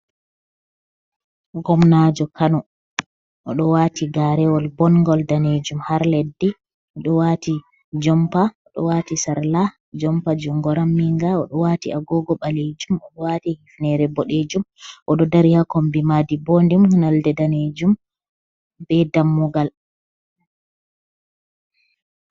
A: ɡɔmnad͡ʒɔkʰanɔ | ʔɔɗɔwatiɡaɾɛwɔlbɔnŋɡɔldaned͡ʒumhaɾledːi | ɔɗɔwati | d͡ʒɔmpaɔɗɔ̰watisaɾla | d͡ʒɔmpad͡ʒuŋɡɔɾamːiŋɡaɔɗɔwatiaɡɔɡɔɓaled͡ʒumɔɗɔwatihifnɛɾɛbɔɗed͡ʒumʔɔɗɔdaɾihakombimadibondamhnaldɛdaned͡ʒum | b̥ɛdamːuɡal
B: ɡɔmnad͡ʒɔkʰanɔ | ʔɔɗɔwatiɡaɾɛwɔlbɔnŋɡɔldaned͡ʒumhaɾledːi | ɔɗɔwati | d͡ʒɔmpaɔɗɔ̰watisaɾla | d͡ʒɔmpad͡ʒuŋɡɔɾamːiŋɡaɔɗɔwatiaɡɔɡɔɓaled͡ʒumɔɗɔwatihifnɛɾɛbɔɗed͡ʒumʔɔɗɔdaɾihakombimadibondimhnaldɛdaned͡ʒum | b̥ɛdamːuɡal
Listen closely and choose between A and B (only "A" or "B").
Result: B